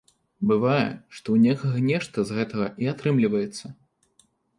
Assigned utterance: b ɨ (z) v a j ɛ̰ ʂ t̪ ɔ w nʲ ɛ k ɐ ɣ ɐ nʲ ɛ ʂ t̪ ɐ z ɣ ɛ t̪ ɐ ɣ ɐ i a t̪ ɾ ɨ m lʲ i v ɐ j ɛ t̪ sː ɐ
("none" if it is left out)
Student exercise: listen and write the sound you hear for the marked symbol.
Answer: none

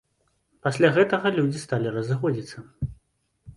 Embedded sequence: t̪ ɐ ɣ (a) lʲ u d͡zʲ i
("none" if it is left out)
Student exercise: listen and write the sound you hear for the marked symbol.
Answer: ɐ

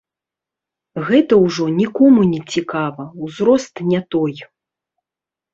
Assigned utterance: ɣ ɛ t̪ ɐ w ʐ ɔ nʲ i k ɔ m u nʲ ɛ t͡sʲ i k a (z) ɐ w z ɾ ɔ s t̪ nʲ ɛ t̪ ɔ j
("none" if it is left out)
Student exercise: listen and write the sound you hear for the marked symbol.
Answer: v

